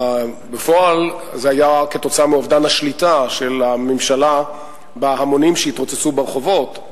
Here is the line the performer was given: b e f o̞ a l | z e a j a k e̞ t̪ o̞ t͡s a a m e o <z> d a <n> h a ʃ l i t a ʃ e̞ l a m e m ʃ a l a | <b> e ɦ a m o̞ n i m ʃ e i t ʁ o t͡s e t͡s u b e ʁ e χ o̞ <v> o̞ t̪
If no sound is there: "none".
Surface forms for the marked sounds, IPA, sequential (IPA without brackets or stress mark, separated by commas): v, n, b, v